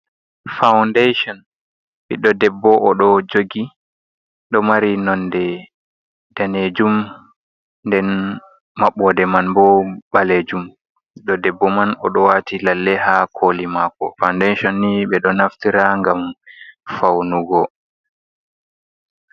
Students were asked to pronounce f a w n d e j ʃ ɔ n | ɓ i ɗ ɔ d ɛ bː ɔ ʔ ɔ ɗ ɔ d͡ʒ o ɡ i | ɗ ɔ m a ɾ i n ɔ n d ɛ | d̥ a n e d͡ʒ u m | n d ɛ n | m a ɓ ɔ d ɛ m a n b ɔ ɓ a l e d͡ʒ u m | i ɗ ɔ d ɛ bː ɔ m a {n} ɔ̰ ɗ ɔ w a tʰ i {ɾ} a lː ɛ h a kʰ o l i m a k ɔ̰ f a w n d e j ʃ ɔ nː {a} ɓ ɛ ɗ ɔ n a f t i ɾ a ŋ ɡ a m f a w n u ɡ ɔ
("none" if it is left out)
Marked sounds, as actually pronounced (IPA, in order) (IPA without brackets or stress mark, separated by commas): n, l, i